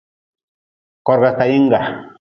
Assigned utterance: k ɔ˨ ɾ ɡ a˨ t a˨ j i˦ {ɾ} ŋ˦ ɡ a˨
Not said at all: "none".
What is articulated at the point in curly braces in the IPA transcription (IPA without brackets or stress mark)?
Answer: none